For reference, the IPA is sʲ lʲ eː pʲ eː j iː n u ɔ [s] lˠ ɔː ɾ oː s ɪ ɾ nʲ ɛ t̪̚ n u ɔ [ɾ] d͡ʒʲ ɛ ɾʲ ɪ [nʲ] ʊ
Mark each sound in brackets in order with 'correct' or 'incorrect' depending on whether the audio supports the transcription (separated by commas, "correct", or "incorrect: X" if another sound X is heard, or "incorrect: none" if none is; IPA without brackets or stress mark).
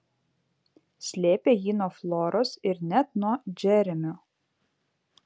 incorrect: f, incorrect: none, incorrect: mʲ